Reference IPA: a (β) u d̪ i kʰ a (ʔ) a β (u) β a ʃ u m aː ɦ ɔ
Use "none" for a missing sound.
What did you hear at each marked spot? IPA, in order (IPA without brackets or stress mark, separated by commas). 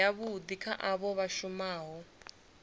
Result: β, ʔ, ɔ